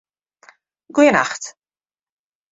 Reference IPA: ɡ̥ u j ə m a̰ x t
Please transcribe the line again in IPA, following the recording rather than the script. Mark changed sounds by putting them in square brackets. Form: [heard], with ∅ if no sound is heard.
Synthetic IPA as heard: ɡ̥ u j ə [n] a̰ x t